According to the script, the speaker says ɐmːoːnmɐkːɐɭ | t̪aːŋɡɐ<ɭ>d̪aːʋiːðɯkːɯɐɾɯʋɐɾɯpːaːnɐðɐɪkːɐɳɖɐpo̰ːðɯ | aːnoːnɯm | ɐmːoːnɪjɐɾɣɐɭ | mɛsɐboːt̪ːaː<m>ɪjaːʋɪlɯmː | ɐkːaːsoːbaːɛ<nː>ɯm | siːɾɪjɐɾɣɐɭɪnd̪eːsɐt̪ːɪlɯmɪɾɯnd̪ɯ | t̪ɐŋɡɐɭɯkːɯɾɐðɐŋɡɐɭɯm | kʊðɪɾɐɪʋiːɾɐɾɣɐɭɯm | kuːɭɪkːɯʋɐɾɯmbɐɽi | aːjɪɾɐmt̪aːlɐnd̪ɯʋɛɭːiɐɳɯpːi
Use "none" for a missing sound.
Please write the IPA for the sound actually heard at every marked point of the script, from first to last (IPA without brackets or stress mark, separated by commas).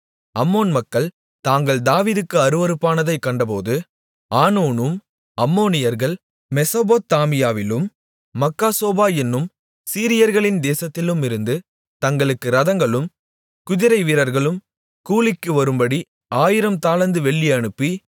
ɭ, m, nː